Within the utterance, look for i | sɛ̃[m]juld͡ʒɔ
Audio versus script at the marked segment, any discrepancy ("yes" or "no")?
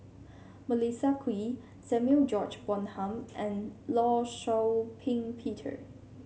no